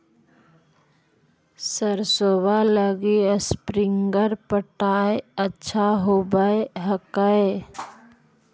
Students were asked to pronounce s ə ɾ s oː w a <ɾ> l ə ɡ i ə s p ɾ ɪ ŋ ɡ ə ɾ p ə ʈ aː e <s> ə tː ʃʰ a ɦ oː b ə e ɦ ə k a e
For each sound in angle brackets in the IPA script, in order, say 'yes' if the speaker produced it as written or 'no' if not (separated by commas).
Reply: no, no